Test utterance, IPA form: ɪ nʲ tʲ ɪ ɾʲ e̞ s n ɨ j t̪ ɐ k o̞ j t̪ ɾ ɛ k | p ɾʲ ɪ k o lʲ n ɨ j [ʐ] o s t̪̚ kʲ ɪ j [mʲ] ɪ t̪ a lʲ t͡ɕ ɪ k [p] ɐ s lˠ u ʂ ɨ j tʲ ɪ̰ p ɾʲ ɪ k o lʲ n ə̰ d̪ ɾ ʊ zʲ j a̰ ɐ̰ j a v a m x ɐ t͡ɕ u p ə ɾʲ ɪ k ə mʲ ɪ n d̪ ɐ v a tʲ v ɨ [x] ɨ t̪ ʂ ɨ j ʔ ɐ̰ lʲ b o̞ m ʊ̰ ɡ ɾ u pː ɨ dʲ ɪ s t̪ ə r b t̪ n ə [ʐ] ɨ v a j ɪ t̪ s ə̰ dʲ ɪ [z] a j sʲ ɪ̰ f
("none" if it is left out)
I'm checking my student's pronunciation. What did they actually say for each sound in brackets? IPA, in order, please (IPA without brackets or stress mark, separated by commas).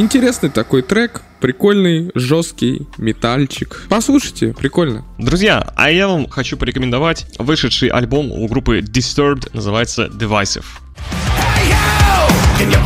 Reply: ʐ, mʲ, p, ʂ, z, v